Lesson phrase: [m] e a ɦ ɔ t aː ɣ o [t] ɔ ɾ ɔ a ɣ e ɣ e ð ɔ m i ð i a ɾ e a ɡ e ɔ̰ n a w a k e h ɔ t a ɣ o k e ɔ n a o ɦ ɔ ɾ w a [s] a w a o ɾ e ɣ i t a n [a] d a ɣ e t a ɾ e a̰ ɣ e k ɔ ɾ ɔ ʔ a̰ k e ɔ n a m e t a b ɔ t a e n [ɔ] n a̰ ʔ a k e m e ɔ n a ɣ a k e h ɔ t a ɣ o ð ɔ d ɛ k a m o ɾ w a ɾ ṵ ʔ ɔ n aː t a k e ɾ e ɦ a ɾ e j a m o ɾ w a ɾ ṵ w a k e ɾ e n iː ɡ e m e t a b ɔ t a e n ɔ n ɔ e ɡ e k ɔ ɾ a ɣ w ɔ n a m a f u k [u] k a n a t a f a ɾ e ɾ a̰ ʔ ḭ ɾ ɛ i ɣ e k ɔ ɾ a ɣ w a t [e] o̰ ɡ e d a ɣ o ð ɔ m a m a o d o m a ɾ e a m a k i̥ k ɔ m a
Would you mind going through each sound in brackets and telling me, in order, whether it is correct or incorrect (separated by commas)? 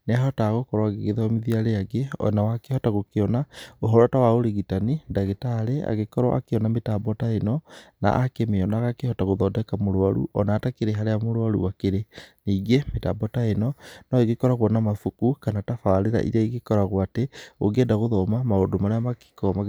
incorrect, incorrect, incorrect, incorrect, correct, correct, correct